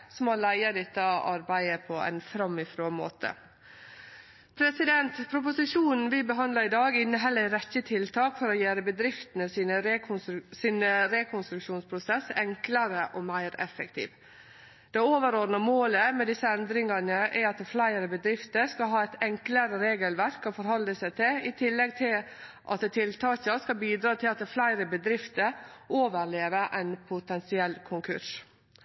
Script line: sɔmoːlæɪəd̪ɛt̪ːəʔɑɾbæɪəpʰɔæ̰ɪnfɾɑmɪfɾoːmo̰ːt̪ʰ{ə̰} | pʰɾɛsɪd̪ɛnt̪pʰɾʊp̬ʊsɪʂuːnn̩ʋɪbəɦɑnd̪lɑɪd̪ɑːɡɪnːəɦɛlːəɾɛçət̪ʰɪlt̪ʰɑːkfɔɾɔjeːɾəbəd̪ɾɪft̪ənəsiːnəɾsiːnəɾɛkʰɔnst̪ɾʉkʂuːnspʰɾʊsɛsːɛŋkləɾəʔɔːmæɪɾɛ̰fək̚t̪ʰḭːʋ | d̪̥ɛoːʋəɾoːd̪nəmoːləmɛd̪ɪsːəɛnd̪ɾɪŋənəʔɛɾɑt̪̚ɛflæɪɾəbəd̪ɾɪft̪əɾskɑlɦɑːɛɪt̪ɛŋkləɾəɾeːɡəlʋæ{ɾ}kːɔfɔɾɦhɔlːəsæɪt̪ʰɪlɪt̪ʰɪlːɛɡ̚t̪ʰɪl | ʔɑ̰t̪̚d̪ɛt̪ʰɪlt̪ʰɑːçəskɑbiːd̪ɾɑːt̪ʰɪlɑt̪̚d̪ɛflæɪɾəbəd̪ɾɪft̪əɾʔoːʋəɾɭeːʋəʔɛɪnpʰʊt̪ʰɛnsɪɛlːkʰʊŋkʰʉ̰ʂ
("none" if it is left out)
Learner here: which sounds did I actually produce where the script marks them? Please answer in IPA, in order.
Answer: ə̰, ɾ

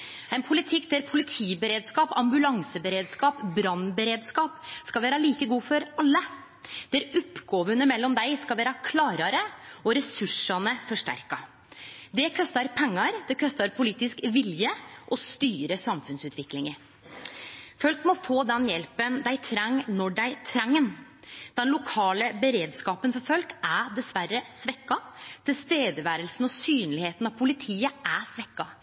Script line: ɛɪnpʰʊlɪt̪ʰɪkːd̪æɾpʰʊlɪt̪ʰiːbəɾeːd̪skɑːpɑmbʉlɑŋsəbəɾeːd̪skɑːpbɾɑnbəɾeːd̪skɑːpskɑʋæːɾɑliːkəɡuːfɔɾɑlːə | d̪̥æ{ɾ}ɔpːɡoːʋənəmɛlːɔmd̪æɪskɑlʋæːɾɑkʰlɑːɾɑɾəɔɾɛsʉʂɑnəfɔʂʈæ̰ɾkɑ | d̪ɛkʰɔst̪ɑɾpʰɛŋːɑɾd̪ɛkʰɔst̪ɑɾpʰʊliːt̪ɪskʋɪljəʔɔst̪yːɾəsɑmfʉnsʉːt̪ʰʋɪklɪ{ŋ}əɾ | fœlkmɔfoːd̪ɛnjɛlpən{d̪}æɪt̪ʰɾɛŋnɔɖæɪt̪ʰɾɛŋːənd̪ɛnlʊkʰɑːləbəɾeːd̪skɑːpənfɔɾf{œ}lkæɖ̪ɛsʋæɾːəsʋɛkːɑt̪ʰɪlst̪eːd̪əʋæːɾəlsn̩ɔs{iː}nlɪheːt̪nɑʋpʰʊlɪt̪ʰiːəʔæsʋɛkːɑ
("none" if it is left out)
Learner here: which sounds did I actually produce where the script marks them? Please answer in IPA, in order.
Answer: ɾ, ŋ, d̪, œ, yː

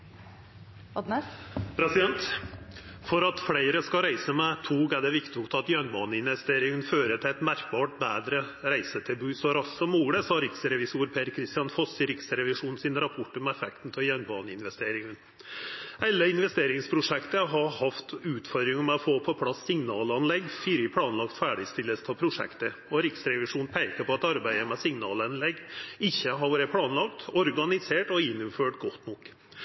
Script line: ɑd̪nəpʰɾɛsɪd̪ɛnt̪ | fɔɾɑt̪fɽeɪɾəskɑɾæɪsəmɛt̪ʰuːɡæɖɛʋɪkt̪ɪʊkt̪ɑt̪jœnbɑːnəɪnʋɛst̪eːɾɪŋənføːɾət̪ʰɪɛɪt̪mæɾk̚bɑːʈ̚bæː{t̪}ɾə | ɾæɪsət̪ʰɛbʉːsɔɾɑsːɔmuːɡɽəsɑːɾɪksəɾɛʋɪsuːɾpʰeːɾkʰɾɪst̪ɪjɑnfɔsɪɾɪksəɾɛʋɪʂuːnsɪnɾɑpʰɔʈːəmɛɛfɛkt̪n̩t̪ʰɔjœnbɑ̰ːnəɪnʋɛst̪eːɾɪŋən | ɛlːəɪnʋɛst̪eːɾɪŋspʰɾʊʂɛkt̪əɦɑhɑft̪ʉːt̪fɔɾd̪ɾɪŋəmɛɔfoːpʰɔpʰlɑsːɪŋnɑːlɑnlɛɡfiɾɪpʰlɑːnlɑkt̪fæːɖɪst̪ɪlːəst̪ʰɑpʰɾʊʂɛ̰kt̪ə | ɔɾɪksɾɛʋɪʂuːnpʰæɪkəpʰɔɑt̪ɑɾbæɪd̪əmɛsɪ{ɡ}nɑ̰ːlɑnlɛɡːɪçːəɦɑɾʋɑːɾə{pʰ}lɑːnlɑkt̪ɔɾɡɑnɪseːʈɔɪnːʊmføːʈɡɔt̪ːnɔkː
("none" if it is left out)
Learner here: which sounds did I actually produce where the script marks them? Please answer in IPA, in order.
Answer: d̪, ŋ, pʰ

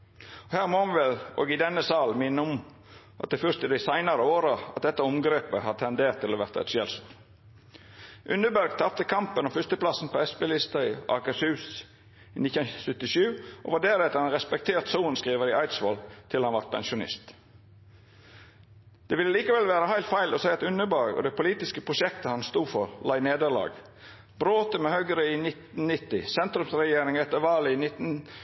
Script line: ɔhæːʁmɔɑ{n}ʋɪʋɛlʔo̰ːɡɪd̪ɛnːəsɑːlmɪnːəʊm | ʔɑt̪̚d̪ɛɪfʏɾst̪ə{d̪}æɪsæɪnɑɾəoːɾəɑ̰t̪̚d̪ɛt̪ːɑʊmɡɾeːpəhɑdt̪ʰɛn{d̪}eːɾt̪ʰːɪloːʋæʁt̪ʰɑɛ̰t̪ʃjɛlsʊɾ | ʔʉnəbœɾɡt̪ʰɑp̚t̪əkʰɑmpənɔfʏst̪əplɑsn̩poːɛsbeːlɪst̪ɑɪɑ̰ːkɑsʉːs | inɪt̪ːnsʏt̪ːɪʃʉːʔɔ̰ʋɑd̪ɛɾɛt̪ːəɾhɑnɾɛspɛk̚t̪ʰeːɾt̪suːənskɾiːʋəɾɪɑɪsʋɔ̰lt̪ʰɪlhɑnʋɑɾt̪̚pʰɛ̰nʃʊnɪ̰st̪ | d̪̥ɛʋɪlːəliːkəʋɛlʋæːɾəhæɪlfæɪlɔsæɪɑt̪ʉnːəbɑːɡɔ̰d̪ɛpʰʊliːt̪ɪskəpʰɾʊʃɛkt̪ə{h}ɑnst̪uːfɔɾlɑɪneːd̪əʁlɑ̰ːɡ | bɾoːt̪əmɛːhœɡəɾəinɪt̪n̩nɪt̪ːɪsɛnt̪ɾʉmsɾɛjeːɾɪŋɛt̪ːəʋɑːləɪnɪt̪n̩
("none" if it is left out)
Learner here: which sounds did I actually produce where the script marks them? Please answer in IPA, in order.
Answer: n, d̪, d̪, h

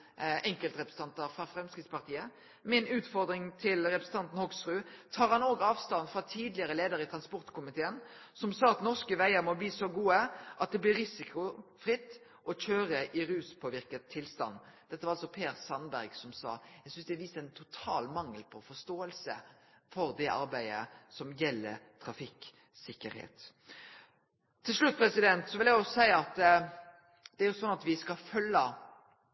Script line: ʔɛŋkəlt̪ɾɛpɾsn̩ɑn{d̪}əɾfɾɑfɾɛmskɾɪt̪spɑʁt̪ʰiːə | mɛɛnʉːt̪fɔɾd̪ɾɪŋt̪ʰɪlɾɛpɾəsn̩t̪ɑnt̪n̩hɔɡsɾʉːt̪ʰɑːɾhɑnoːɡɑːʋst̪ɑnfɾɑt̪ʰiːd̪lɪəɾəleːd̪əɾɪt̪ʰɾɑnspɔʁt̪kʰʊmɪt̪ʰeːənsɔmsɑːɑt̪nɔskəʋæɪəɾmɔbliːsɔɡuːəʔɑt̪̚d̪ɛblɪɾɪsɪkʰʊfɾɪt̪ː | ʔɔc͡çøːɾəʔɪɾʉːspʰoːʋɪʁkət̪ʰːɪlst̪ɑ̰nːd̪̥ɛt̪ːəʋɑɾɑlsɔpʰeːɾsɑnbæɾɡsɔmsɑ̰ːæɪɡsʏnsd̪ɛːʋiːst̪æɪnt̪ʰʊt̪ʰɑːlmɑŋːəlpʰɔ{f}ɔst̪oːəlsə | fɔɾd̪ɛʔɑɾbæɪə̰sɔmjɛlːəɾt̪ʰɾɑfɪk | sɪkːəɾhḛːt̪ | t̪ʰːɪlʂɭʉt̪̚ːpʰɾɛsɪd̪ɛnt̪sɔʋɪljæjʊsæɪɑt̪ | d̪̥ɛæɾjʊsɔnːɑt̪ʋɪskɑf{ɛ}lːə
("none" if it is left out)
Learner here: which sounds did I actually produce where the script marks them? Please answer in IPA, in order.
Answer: t̪, f, œ

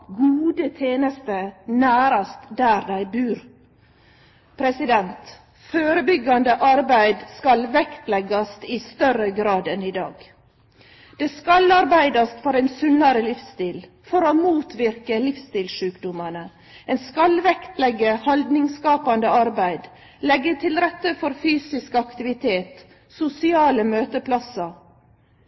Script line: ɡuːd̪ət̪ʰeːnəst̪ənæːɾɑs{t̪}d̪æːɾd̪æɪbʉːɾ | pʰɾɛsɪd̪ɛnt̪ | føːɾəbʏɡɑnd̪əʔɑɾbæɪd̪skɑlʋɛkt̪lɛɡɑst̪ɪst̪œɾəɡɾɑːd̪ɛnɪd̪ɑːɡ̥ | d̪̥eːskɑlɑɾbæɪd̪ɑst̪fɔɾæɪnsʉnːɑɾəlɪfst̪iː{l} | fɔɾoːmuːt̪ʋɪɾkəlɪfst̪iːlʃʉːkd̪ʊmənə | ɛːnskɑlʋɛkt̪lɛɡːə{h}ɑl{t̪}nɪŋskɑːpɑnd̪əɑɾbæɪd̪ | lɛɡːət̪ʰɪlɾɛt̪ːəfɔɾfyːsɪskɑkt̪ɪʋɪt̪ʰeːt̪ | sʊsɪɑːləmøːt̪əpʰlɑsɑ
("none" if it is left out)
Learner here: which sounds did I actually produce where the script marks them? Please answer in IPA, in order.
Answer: t̪, l, h, d̪

